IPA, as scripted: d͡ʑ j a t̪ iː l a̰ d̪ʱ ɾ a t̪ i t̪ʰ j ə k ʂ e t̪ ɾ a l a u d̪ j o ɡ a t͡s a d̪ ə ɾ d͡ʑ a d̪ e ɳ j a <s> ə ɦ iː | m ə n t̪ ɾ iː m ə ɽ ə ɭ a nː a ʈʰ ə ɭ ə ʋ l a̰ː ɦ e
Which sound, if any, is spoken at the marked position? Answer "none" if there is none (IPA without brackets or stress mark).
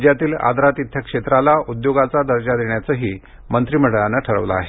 t͡s